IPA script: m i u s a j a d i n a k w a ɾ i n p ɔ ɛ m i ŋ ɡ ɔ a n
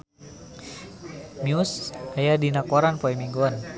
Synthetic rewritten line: m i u s a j a d i n a k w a ɾ a n p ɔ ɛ m i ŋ ɡ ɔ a n

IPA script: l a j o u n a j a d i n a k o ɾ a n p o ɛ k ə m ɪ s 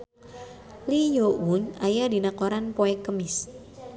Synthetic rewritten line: l i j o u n a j a d i n a k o ɾ a n p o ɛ k ə m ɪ s

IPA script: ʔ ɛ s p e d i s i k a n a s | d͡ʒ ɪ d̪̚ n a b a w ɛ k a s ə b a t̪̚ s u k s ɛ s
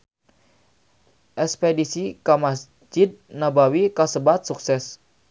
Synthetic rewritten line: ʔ ɛ s p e d i s i k a m a s | d͡ʒ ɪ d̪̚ n a b a w i k a s ə b a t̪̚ s u k s ɛ s

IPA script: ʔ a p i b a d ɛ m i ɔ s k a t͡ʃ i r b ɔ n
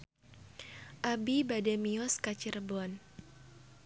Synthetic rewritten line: ʔ a b i b a d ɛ m i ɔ s k a t͡ʃ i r b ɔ n

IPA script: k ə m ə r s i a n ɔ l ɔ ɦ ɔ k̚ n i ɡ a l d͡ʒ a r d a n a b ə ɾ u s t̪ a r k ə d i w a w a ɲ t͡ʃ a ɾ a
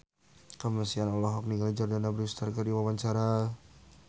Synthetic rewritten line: k ə m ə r s i a n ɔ l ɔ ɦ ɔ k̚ n i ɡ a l d͡ʒ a r d a n a b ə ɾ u s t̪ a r k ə d i w a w a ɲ t͡ʃ a ɾ a

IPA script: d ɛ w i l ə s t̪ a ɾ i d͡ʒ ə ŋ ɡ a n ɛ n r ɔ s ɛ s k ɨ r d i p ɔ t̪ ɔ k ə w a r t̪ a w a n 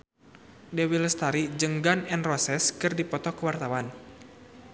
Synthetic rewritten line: d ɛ w i l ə s t̪ a ɾ i d͡ʒ ə ŋ ɡ a n ɛ n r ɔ s ɛ s k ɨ r d i p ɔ t̪ ɔ k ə w a r t̪ a w a n

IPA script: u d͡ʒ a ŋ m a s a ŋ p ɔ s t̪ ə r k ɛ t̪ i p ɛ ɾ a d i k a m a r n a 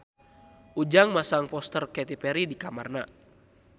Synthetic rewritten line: u d͡ʒ a ŋ m a s a ŋ p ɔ s t̪ ə r k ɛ t̪ i p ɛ ɾ i d i k a m a r n a

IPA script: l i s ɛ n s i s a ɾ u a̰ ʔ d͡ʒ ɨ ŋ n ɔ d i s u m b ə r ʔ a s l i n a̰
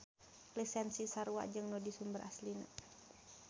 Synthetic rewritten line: l i s ɛ n s i s a ɾ u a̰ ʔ d͡ʒ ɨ ŋ n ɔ d i s u m b ə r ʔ a s l i n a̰

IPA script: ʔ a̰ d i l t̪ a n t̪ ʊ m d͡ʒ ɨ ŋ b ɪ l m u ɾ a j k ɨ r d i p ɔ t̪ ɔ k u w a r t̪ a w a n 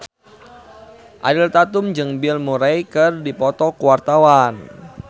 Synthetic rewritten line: ʔ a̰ d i l t̪ a t̪ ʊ m d͡ʒ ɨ ŋ b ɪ l m u ɾ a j k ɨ r d i p ɔ t̪ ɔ k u w a r t̪ a w a n

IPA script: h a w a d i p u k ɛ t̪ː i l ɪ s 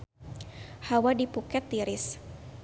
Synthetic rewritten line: h a w a d i p u k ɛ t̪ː i ɾ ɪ s

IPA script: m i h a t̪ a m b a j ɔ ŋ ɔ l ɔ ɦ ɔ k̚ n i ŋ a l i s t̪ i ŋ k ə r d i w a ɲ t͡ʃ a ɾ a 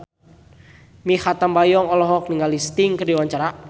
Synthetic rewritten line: m i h a t̪ a m b a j ɔ ŋ ɔ l ɔ ɦ ɔ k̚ n i ŋ a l i s t̪ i ŋ k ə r d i w a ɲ t͡ʃ a ɾ a

